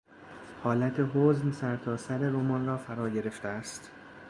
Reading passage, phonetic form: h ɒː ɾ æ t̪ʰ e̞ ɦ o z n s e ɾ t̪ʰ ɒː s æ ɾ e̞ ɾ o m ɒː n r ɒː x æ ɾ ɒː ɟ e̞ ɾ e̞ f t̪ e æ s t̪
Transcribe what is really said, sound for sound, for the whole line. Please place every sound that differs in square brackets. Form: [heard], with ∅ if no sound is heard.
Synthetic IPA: h ɒː [l] æ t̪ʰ e̞ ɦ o z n s [æ] ɾ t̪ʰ ɒː s æ ɾ e̞ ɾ o m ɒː n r ɒː [f] æ ɾ ɒː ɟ e̞ ɾ e̞ f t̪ e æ s t̪